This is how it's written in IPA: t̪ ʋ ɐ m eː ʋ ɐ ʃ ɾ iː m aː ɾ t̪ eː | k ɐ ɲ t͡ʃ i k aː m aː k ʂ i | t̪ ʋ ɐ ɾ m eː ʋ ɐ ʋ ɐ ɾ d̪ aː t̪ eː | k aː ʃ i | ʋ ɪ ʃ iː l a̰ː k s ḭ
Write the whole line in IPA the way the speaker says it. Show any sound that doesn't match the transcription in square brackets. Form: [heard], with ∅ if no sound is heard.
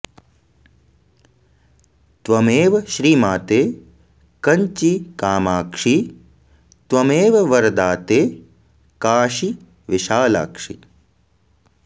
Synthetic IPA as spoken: t̪ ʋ ɐ m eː ʋ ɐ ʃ ɾ iː m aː [∅] t̪ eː | k ɐ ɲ t͡ʃ i k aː m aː k ʂ i | t̪ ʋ ɐ [∅] m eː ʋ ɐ ʋ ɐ ɾ d̪ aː t̪ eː | k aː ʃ i | ʋ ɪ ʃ [aː] l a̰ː k [ʂ] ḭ